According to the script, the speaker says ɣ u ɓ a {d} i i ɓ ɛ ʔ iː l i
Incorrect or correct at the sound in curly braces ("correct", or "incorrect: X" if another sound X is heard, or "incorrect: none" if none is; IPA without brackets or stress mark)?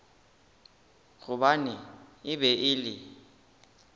incorrect: n